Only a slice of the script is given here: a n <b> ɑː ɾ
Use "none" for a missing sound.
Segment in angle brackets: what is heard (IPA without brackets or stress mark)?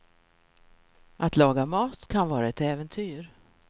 v